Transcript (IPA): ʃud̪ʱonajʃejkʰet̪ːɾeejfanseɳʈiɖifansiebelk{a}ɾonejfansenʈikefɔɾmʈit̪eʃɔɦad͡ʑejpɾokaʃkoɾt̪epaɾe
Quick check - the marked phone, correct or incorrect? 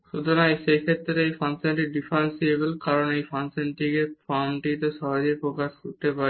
correct